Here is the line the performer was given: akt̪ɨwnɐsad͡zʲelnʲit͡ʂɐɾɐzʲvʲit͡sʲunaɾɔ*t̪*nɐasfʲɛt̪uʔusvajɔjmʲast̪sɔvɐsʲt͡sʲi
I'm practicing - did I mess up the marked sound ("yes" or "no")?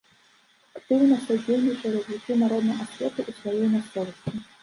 yes